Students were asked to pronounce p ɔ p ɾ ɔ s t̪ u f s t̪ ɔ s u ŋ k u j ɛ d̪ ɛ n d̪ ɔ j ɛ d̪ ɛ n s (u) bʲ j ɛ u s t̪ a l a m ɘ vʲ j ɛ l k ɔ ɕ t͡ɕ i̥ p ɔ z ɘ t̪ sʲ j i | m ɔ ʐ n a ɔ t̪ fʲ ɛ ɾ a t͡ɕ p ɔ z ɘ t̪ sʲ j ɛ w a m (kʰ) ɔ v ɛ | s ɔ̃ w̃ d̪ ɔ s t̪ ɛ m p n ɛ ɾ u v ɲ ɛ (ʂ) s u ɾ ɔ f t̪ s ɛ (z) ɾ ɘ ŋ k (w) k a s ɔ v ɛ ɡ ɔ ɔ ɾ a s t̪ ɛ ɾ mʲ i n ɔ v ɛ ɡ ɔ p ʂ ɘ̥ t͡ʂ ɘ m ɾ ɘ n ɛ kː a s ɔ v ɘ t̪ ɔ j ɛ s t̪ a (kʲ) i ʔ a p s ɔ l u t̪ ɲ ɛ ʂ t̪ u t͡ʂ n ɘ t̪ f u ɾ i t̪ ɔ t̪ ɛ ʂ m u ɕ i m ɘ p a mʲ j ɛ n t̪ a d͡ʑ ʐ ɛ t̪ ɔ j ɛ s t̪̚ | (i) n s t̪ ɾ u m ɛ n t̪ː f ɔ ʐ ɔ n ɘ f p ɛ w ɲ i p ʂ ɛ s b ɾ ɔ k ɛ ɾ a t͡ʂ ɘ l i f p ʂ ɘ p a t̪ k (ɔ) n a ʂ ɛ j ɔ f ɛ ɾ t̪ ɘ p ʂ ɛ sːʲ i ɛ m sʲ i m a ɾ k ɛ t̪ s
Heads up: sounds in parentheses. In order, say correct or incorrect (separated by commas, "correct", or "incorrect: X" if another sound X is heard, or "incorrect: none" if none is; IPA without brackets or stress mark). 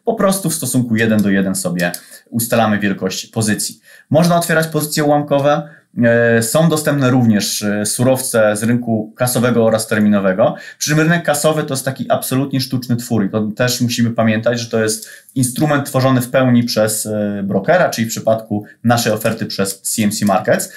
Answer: incorrect: ɔ, incorrect: k, correct, correct, incorrect: u, correct, correct, incorrect: u